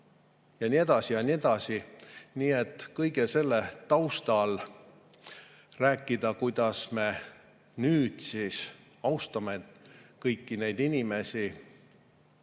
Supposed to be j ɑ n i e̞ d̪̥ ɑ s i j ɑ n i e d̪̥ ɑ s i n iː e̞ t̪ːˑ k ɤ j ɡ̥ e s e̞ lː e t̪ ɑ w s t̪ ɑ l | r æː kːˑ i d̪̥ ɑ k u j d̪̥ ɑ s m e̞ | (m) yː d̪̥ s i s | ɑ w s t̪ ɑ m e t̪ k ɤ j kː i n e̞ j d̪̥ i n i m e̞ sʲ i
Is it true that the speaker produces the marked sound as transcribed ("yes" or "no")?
no